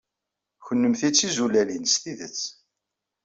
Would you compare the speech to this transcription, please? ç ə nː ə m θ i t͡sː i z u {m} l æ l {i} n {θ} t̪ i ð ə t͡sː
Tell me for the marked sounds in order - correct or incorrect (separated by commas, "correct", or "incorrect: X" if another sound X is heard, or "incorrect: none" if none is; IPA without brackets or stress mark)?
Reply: incorrect: none, correct, incorrect: s